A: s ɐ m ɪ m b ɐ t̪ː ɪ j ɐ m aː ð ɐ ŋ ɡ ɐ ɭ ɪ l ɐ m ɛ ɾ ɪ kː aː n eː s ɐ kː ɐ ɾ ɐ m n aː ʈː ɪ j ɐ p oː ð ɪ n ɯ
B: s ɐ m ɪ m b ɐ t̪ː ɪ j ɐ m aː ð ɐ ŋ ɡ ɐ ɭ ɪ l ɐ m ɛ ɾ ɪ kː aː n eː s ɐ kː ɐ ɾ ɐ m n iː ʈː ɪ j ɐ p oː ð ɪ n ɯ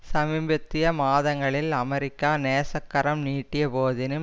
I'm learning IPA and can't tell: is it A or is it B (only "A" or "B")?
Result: B